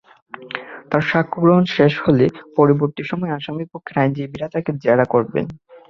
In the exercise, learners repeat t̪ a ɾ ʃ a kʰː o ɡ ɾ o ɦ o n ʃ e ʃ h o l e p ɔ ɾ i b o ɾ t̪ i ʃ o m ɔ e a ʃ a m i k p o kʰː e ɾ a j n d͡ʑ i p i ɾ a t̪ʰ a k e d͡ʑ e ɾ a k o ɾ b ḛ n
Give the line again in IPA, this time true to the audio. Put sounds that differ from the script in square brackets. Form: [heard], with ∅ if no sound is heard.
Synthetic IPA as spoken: t̪ a ɾ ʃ a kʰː o ɡ ɾ o ɦ o n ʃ e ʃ h o l e p ɔ ɾ i b o ɾ t̪ i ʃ [ɔ] m ɔ e a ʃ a m i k p o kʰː e ɾ a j n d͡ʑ i [b] i ɾ a [t̪] a k e d͡ʑ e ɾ a k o ɾ b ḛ n